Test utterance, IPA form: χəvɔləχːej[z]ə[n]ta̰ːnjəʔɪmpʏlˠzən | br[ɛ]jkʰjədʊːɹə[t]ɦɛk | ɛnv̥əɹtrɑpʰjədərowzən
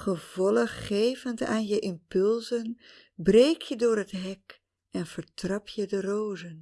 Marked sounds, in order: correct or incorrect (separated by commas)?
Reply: incorrect, correct, incorrect, correct